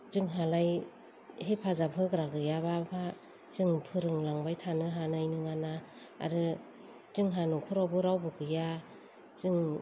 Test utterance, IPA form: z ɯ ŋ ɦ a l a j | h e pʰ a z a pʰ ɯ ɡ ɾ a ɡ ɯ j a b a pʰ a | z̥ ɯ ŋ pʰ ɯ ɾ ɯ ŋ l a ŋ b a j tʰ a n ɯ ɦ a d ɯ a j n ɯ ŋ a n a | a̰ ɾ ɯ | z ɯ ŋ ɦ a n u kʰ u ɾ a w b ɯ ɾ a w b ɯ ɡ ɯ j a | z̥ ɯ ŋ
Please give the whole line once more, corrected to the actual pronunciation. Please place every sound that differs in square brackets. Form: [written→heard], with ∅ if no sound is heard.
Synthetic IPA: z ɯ ŋ ɦ a l a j | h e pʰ a z a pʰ ɯ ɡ ɾ a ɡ ɯ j a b a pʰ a | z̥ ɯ ŋ pʰ ɯ ɾ ɯ ŋ l a ŋ b a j tʰ a n ɯ ɦ a [d→n] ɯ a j n ɯ ŋ a n a | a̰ ɾ ɯ | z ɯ ŋ ɦ a n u kʰ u ɾ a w b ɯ ɾ a w b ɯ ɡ ɯ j a | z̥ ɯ ŋ